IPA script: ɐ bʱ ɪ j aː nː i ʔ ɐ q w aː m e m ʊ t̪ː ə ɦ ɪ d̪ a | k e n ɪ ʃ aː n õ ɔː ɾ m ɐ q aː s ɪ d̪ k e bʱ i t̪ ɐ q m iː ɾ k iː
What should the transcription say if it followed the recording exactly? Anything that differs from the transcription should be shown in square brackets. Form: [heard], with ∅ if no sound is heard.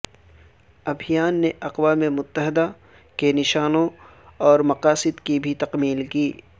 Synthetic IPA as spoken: ɐ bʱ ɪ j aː nː [e] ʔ ɐ q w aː m e m ʊ t̪ː ə ɦ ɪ d̪ a | k e n ɪ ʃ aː n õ ɔː ɾ m ɐ q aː s ɪ d̪ k [i] bʱ i t̪ ɐ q m iː [l] k iː

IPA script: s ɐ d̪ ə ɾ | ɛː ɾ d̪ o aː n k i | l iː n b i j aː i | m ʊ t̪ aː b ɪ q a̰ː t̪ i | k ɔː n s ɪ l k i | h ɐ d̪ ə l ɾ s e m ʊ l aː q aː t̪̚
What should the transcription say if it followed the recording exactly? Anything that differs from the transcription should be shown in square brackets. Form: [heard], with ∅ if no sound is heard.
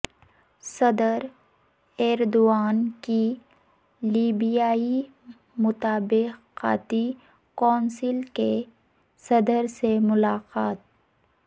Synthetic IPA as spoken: s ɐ d̪ ə ɾ | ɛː ɾ d̪ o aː n k i | l iː [∅] b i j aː i | m ʊ t̪ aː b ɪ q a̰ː t̪ i | k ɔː n s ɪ l k [e] | [s] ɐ d̪ ə [∅] ɾ s e m ʊ l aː q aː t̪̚

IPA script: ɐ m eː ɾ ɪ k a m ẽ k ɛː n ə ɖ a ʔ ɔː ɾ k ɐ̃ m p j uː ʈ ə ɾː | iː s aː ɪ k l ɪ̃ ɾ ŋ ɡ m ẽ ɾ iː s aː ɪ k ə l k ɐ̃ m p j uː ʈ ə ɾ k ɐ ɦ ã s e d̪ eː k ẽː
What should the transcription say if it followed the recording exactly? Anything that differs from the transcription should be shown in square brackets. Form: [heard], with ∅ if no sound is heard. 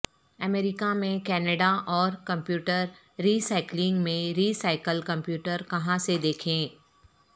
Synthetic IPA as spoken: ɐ m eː ɾ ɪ k a m ẽ k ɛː n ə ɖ a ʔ ɔː ɾ k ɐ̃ m p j uː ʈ ə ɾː | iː s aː ɪ k l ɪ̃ [∅] ŋ ɡ m ẽ ɾ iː s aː ɪ k ə l k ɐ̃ m p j uː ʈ ə ɾ k ɐ ɦ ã s e d̪ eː [kʰ] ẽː

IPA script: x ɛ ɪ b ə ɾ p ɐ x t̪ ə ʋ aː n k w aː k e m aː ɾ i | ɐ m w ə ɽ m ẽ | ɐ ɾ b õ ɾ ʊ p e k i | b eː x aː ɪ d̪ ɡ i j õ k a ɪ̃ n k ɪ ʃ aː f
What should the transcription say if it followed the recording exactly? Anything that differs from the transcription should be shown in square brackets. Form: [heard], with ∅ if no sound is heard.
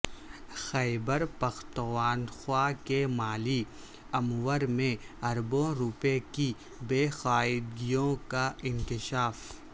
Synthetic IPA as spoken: x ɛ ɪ b ə ɾ p ɐ x t̪ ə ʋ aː n [x] w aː k e m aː [l] i | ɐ m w ə [ɾ] m ẽ | ɐ ɾ b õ ɾ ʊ p e k i | b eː x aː ɪ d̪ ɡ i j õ k a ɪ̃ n k ɪ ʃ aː f

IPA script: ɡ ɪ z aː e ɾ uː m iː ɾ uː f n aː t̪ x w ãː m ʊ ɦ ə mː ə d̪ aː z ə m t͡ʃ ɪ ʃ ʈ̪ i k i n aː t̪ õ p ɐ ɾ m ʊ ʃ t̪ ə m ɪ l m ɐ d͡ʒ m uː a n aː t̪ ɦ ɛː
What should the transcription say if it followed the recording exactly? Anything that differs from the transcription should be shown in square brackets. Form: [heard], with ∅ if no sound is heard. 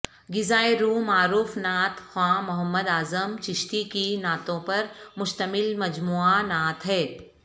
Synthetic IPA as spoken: ɡ ɪ z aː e ɾ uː m [aː] ɾ uː f n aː t̪ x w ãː m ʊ ɦ ə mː ə d̪ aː z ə m t͡ʃ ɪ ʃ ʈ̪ i k i n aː t̪ õ p ɐ ɾ m ʊ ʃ t̪ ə m ɪ l m ɐ d͡ʒ m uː a n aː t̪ ɦ ɛː

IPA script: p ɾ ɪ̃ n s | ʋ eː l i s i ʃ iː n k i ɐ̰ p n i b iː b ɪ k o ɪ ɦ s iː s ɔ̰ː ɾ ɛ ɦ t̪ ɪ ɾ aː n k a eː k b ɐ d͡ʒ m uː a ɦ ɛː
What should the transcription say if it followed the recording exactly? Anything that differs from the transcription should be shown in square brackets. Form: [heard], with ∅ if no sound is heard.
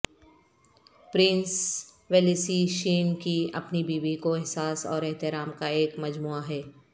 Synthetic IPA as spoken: p ɾ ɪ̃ n s | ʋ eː l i s i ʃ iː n k i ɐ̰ p n i b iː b [i] k o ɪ ɦ s [aː] s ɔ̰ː ɾ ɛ ɦ t̪ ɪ ɾ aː [m] k a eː k [m] ɐ d͡ʒ m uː a ɦ ɛː

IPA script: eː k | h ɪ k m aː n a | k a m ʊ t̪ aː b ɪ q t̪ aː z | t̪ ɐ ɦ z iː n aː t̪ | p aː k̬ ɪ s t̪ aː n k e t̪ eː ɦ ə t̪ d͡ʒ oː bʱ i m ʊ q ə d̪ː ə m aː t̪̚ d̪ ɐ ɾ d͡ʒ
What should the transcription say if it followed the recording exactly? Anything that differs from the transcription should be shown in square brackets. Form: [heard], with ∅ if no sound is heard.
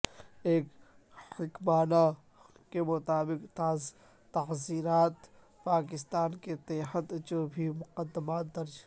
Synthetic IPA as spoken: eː k | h ɪ k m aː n a | k [e] m ʊ t̪ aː b ɪ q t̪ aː z | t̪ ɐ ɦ z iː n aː t̪ | p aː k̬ ɪ s t̪ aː n k e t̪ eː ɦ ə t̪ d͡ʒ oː bʱ i m ʊ q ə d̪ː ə m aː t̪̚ d̪ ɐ ɾ d͡ʒ

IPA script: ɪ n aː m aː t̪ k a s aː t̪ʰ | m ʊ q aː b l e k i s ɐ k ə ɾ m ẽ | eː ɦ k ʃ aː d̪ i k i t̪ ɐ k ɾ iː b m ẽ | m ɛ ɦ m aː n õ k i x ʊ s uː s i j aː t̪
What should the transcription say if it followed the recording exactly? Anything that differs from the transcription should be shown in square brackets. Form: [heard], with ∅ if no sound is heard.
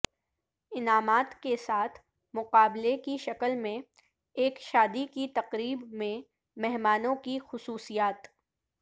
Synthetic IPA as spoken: ɪ n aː m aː t̪ k [e] s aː t̪ʰ | m ʊ q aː b l e k i [ʃ] ɐ k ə [l] m ẽ | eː [∅] k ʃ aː d̪ i k i t̪ ɐ [q] ɾ iː b m ẽ | m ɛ ɦ m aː n õ k i x ʊ s uː s i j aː t̪

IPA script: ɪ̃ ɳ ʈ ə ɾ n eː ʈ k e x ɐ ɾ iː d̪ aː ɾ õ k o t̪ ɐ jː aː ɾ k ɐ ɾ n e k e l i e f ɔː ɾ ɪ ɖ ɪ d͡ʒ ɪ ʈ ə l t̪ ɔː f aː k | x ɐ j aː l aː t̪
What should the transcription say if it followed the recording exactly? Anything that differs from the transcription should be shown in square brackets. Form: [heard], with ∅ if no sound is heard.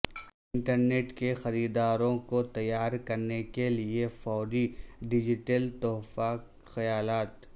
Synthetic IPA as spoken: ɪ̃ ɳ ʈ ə ɾ n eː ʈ k e x ɐ ɾ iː d̪ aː ɾ õ k o t̪ ɐ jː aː ɾ k ɐ ɾ n e k e l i e f ɔː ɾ [i] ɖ ɪ d͡ʒ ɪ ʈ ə l t̪ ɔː f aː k | x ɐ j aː l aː t̪

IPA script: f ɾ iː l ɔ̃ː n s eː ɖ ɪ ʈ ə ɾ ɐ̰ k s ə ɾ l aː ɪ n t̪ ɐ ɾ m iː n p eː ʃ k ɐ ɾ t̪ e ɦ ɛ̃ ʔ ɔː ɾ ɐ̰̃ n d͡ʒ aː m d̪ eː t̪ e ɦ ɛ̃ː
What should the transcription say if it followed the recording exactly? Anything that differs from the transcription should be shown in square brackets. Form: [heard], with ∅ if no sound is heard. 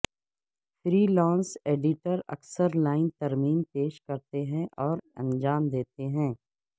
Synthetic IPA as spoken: f ɾ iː l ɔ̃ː n s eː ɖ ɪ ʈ ə ɾ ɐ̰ k s ə ɾ l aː ɪ n t̪ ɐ ɾ m iː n p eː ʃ k ɐ ɾ t̪ e ɦ ɛ̃ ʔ ɔː ɾ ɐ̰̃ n d͡ʒ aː m d̪ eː t̪ e ɦ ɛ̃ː

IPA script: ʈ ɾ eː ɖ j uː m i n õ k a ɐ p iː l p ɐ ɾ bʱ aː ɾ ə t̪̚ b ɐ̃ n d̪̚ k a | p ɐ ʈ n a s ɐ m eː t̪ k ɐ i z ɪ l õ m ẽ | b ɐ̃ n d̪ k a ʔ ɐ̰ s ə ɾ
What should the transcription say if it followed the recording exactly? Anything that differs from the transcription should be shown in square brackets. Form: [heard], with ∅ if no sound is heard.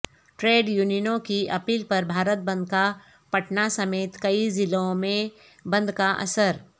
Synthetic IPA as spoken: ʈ ɾ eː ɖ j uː [n] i n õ k [i] ɐ p iː l p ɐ ɾ bʱ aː ɾ ə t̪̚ b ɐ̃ n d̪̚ k a | p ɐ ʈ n a s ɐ m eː t̪ k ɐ i z ɪ l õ m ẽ | b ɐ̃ n d̪ k a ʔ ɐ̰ s ə ɾ

